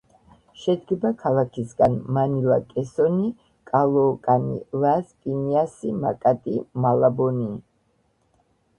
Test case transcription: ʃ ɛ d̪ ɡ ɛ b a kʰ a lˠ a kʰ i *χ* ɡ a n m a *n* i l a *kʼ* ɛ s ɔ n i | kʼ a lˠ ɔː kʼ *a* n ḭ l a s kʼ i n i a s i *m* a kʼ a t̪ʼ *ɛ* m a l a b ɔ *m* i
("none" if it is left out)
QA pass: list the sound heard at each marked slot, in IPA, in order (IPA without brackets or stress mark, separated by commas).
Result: s, n, kʼ, a, m, i, n